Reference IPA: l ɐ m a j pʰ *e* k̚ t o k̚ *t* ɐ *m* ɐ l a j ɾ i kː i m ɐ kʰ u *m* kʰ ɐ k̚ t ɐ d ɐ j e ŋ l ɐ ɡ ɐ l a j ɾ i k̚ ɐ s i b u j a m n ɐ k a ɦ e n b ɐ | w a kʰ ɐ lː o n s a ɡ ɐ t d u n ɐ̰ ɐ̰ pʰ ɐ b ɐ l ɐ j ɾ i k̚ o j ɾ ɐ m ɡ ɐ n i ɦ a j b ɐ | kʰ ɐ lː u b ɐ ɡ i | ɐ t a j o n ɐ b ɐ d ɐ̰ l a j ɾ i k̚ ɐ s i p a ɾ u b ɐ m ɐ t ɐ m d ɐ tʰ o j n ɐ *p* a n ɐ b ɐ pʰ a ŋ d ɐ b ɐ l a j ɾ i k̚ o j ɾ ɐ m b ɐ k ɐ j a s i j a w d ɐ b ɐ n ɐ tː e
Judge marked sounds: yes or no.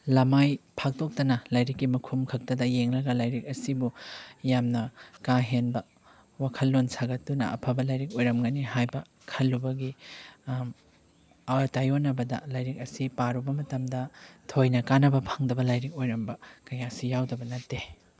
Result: no, yes, no, yes, no

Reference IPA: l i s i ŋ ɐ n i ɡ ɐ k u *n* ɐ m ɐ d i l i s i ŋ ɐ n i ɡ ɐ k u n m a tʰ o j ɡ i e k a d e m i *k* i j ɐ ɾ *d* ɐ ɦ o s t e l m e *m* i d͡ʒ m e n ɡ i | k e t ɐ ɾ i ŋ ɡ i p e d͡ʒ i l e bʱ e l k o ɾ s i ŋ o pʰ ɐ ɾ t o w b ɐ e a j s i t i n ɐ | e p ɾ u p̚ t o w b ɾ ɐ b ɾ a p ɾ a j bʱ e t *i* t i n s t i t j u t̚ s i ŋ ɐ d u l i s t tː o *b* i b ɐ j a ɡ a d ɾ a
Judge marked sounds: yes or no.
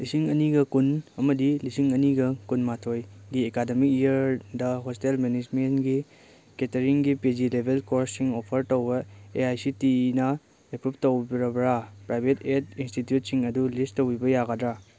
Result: yes, yes, yes, no, no, no

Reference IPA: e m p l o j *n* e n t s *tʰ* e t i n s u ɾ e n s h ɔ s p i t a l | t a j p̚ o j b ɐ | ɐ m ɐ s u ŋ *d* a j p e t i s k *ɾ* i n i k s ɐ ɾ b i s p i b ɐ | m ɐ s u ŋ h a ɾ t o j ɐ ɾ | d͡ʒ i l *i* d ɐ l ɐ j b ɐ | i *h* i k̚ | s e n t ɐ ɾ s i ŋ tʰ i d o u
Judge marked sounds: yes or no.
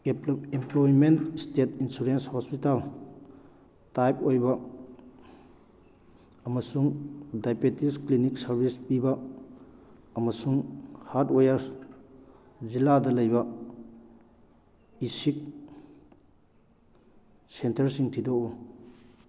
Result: no, no, yes, no, no, no

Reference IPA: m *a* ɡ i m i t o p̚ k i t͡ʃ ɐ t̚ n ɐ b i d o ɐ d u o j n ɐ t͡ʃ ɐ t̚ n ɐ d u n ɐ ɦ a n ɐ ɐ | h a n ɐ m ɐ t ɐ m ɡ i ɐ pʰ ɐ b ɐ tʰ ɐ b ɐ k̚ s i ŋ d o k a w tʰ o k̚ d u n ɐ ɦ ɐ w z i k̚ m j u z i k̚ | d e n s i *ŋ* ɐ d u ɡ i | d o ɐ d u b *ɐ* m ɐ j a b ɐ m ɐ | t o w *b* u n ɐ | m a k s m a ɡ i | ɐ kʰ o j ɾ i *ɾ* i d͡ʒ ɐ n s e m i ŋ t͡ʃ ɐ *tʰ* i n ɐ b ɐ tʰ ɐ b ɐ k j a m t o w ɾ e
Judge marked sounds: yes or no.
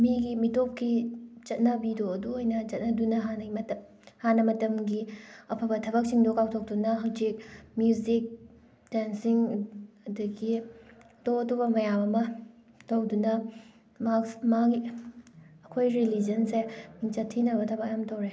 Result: no, yes, yes, no, no, yes

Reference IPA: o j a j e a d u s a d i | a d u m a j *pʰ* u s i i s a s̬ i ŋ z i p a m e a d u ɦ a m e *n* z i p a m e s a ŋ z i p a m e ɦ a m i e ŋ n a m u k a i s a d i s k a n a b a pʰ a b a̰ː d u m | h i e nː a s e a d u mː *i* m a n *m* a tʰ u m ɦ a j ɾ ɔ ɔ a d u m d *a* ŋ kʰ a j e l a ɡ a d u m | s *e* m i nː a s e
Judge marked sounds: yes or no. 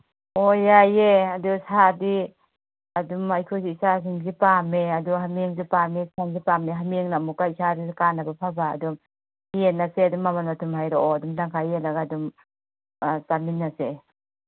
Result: no, no, no, yes, yes, no

